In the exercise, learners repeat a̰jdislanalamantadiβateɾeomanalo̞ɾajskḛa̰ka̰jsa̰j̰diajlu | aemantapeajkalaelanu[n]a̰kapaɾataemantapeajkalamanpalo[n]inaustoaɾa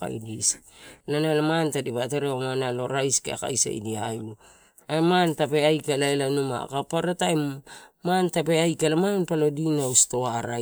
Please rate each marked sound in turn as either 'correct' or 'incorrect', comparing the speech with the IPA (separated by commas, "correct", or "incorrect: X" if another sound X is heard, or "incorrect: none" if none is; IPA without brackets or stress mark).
incorrect: m, incorrect: d